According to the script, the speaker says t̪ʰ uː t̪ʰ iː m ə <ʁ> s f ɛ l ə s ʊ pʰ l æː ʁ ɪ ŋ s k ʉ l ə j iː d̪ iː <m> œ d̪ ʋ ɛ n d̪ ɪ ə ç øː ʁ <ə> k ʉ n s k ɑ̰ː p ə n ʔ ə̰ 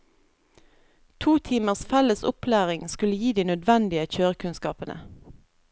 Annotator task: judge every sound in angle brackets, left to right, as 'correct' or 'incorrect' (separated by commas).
correct, incorrect, correct